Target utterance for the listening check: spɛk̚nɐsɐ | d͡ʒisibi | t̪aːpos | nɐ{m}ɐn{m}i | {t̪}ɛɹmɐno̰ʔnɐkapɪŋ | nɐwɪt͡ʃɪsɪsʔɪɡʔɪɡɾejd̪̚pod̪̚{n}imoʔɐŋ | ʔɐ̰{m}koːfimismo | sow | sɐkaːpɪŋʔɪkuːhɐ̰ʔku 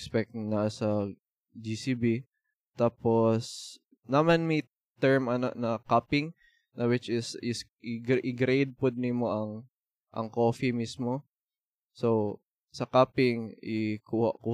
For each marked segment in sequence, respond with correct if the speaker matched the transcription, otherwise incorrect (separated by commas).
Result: correct, correct, correct, correct, incorrect